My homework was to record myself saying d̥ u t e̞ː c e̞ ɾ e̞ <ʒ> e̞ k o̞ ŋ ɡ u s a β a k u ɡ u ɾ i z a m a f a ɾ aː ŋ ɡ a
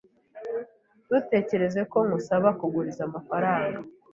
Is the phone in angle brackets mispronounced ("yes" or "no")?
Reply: yes